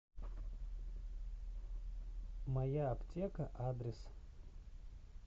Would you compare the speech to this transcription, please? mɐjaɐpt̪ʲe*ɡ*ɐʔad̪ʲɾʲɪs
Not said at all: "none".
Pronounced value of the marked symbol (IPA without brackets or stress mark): k